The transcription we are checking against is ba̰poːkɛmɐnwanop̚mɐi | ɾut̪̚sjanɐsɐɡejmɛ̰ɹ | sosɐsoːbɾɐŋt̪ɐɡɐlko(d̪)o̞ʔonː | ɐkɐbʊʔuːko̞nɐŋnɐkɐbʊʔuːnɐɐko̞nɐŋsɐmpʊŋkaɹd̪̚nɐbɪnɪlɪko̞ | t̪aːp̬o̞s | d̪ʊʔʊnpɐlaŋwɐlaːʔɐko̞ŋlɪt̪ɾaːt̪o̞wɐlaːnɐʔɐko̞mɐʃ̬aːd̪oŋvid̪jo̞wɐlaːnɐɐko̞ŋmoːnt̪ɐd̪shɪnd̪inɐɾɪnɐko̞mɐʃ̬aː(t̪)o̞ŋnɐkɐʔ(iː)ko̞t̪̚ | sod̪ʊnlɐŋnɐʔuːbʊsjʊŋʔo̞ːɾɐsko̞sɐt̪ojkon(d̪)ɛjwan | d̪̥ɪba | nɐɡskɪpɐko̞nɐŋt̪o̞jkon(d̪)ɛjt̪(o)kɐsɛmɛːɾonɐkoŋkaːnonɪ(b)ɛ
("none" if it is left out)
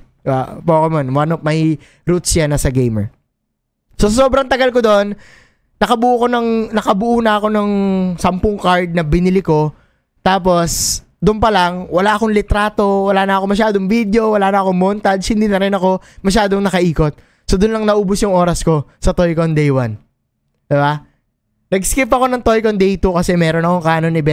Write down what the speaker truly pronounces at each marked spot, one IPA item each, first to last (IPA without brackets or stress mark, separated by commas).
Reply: d̪, d̪, iː, d̪, d̪, u, b